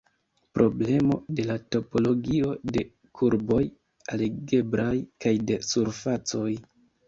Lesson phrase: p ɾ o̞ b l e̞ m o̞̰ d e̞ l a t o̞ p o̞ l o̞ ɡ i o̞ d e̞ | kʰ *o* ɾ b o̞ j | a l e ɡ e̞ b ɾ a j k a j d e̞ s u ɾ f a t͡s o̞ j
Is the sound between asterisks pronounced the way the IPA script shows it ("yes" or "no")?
no